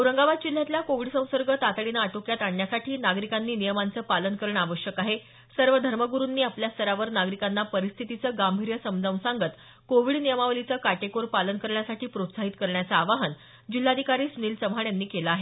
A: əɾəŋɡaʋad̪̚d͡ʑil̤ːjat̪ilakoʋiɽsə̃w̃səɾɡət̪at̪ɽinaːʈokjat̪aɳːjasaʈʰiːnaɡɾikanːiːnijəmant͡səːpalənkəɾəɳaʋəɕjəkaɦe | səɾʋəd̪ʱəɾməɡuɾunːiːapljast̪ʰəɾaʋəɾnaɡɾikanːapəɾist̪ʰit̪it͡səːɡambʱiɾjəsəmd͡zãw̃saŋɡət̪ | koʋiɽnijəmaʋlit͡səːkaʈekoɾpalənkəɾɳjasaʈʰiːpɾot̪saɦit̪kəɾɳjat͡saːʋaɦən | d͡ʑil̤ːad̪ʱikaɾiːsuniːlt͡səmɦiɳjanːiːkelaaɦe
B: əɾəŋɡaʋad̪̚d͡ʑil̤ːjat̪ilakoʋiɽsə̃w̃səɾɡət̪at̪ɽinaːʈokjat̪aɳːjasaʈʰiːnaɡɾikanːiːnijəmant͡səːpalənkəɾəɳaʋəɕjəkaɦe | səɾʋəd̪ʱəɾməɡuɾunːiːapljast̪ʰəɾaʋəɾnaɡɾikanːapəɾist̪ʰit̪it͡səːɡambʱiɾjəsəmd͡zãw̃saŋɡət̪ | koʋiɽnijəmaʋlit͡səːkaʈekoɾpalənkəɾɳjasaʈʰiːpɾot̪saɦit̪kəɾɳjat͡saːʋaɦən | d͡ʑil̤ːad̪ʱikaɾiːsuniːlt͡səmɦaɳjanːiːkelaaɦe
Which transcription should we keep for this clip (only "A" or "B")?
B